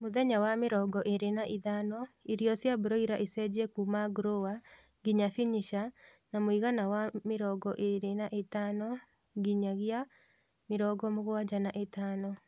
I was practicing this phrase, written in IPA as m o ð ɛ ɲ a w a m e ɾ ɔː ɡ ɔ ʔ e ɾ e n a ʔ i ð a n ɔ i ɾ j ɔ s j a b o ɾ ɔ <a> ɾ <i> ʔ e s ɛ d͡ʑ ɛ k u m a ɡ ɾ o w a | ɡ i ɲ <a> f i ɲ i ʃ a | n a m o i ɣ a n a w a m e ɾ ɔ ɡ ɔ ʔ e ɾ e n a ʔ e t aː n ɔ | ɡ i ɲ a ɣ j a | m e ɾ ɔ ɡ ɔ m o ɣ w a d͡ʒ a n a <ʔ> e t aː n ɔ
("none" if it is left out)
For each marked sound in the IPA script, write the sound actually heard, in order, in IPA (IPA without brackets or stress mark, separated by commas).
i, a, a, ʔ